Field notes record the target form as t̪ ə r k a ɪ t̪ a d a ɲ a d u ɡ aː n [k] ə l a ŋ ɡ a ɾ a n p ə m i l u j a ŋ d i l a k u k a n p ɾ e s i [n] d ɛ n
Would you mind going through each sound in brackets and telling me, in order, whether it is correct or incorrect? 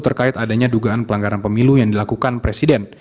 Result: incorrect, incorrect

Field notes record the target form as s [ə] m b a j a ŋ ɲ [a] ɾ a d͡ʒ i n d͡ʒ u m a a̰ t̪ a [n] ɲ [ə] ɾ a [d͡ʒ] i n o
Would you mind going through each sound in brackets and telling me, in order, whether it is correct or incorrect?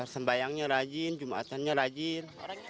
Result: correct, correct, correct, incorrect, correct

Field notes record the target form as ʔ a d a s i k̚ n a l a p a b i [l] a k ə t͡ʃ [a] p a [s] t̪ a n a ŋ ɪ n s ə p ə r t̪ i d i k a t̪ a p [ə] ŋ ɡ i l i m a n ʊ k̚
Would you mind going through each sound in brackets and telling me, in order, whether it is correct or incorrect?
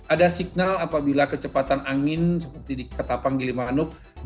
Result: correct, incorrect, incorrect, incorrect

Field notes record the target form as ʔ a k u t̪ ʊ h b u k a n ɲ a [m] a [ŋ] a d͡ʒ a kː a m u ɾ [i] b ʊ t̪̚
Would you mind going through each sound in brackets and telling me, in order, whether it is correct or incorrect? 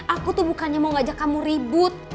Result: correct, correct, correct

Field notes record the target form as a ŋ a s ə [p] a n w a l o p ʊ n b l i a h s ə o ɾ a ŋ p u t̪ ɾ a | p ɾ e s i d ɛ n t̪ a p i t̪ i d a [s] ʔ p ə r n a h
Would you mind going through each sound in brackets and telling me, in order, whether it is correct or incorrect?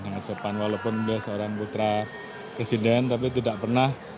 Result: correct, incorrect

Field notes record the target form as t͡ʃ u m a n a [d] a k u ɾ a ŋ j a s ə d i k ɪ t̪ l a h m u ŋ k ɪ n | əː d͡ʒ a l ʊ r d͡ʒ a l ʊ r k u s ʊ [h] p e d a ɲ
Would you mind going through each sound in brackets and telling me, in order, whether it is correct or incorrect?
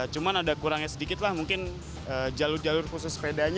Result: correct, incorrect

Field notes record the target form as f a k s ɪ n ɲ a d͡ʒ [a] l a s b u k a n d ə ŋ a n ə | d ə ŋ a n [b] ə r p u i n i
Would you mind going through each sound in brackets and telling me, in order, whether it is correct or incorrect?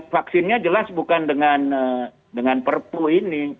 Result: incorrect, incorrect

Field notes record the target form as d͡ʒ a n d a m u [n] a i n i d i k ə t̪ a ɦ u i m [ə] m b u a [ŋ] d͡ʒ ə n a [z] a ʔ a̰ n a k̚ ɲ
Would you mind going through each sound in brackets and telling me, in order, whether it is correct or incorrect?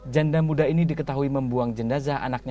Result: incorrect, correct, correct, correct

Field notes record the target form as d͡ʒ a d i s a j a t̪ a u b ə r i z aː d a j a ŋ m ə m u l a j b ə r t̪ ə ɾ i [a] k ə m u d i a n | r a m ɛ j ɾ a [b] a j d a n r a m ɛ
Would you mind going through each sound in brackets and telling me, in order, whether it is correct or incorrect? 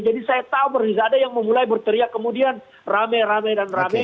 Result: correct, incorrect

